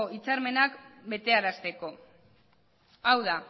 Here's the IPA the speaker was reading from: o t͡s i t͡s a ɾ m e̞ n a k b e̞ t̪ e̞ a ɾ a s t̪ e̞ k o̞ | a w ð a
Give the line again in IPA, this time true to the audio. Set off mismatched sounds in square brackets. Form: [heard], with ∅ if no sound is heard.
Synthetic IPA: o [∅] i t͡s a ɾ m e̞ n a k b e̞ t̪ e̞ a ɾ a s t̪ e̞ k o̞ | a w ð a